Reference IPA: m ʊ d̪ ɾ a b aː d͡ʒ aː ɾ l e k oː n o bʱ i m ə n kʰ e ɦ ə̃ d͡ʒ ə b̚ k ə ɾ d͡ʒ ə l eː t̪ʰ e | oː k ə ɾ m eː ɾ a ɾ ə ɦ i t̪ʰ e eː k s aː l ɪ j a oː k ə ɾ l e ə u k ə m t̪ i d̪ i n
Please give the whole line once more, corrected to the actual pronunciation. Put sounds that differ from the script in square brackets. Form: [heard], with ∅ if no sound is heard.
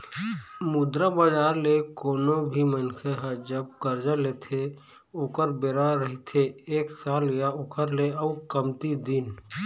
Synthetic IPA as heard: m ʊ d̪ ɾ a b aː d͡ʒ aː ɾ l e k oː n o bʱ i m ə n kʰ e ɦ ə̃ d͡ʒ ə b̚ k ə ɾ d͡ʒ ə l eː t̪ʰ e | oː k ə ɾ [b] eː ɾ a ɾ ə ɦ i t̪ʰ e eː k s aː l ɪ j a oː k ə ɾ l e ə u k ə m t̪ i d̪ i n